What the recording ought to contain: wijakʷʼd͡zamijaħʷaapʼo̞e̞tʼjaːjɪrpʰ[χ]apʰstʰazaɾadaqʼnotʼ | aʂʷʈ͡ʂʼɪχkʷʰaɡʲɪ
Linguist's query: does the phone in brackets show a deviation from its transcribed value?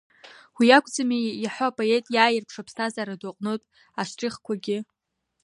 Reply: yes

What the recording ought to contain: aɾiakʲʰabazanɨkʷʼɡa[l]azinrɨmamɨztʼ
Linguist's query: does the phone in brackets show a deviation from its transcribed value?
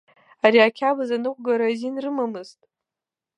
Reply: yes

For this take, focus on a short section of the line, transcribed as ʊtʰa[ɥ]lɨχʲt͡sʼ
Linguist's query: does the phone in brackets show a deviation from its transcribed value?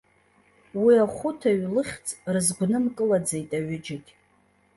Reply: no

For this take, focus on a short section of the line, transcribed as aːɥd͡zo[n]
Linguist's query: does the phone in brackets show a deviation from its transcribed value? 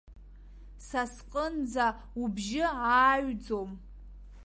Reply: yes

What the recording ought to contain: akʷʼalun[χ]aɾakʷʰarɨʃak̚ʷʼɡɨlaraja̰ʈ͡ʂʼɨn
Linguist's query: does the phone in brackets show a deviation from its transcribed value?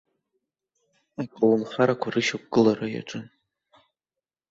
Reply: no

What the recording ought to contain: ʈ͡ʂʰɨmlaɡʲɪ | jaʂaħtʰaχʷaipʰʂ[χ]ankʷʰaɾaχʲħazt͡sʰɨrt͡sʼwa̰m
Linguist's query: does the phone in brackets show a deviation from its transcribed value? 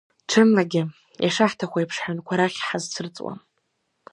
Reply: yes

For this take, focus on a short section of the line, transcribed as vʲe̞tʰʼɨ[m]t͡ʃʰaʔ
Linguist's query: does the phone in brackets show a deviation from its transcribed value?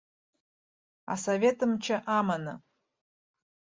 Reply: no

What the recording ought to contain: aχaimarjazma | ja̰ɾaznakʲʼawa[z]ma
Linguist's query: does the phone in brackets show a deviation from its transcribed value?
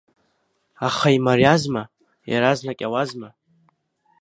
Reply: no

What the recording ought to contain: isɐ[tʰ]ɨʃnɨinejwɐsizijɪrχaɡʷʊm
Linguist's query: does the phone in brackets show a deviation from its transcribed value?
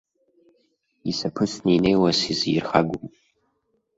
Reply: yes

